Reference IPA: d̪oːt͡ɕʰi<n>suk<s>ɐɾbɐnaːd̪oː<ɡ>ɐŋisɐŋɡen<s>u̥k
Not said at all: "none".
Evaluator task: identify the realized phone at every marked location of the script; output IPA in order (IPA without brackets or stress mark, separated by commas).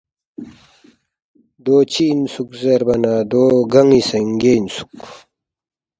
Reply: n, z, ɡ, s